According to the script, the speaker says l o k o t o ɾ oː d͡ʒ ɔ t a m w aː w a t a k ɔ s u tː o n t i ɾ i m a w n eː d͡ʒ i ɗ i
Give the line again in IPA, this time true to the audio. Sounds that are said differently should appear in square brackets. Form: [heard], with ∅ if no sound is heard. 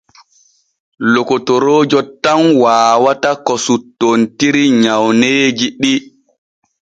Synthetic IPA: l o k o t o ɾ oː d͡ʒ ɔ t a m w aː w a t a k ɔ s u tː o n t i ɾ i [ɲ] a w n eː d͡ʒ i ɗ i